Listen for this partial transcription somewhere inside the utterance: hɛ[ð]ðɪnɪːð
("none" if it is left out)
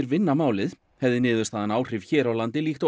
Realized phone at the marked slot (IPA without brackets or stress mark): v